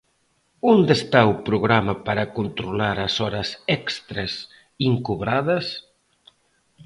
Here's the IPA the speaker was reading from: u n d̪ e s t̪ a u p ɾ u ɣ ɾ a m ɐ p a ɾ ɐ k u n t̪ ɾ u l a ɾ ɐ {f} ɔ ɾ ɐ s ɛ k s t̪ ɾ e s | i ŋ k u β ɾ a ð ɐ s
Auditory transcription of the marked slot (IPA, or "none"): s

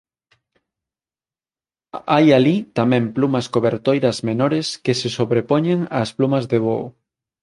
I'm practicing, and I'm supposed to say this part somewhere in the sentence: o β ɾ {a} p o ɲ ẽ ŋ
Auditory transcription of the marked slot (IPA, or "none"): e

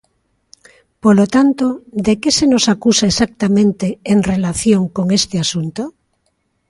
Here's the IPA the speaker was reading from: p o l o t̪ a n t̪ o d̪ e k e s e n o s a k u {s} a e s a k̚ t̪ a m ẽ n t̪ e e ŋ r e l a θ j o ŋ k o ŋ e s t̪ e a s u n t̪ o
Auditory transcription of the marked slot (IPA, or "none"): s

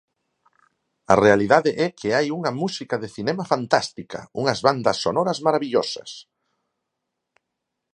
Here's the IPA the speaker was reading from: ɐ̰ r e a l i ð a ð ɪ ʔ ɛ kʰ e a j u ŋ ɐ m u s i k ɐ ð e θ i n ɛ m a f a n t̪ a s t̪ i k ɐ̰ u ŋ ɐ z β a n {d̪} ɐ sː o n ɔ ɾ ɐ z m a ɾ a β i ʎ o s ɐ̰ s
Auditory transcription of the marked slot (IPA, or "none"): d̪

